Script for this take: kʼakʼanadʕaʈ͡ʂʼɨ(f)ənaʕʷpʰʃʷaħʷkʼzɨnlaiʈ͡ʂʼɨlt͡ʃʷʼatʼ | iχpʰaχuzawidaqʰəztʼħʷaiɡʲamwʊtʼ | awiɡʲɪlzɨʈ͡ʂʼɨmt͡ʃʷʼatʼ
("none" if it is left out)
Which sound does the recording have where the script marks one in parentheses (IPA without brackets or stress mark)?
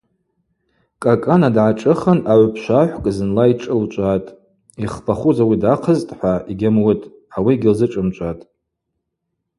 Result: χ